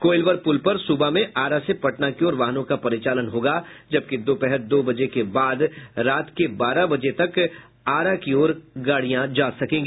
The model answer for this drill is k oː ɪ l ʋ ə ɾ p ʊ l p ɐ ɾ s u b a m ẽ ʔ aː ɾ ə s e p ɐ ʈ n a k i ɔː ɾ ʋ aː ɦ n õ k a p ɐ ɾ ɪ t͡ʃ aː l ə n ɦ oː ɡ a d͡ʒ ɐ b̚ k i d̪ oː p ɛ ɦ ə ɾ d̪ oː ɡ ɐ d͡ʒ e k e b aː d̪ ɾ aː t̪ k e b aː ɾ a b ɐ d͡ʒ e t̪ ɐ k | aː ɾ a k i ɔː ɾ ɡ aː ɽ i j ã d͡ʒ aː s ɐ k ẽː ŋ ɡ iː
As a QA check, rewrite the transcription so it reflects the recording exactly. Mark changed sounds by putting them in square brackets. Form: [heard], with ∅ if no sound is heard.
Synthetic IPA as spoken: k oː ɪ l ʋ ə ɾ p ʊ l p ɐ ɾ s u b a m ẽ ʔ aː ɾ [a] s e p ɐ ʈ n a k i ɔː ɾ ʋ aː ɦ n õ k a p ɐ ɾ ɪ t͡ʃ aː l ə n ɦ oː ɡ a d͡ʒ ɐ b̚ k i d̪ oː p ɛ ɦ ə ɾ d̪ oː [b] ɐ d͡ʒ e k e b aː d̪ ɾ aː t̪ k e b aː ɾ a b ɐ d͡ʒ e t̪ ɐ k | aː ɾ a k i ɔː ɾ ɡ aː ɽ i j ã d͡ʒ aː s ɐ k ẽː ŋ ɡ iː